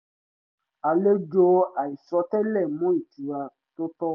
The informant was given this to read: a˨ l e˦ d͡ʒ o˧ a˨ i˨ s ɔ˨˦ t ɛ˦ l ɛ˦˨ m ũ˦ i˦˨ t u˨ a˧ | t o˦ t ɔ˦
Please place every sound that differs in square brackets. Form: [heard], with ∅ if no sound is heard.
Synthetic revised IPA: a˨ l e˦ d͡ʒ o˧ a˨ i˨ s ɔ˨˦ t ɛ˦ l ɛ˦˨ m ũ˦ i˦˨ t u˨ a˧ | t o˦ t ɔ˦

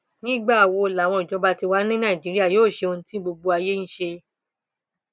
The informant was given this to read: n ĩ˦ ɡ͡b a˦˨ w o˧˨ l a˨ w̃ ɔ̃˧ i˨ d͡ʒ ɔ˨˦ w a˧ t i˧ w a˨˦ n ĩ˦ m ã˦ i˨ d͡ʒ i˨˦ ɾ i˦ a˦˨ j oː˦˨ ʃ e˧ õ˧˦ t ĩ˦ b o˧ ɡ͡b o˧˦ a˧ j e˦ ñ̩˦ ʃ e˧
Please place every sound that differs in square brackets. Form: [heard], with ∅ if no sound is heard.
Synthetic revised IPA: n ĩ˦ ɡ͡b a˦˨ w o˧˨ l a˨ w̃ ɔ̃˧ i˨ d͡ʒ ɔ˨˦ [b] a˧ t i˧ w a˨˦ n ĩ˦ [n] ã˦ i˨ d͡ʒ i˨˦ ɾ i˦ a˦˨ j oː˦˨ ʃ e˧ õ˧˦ t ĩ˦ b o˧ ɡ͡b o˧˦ a˧ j e˦ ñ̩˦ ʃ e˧

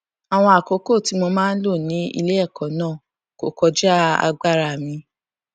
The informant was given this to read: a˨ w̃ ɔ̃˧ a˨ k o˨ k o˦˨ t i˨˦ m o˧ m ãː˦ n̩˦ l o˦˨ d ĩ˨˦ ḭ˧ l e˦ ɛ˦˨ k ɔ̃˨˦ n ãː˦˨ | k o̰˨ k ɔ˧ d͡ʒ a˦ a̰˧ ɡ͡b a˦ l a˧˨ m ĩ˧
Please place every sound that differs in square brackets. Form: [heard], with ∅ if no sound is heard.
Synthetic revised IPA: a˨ w̃ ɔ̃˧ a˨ k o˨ k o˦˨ t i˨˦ m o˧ m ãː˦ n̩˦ l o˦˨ [n] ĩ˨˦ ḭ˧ l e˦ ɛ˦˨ k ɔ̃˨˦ n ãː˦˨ | k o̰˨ k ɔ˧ d͡ʒ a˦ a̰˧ ɡ͡b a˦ [ɾ] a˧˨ m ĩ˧

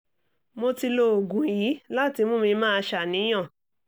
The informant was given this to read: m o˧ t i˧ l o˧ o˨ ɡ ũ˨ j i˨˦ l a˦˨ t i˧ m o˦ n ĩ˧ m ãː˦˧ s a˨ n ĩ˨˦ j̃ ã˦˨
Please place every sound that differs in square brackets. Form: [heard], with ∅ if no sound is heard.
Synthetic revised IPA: m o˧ t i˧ l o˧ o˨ ɡ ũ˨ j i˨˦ l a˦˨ t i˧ m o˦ [m] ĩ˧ m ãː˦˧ [ʃ] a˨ n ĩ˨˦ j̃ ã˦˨

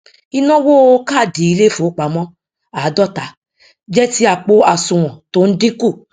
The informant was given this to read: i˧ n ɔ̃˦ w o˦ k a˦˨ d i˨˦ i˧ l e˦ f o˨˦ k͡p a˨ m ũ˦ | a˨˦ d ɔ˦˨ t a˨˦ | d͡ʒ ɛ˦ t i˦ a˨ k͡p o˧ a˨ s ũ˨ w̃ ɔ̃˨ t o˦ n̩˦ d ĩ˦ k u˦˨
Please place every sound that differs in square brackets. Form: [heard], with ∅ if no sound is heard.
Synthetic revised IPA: i˧ n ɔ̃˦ w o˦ k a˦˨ d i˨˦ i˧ l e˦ f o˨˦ k͡p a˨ m [ɔ̃˦] | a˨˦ d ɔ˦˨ t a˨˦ | d͡ʒ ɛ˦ t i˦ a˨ k͡p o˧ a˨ s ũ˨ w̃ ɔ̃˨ t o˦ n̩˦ d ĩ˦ k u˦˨

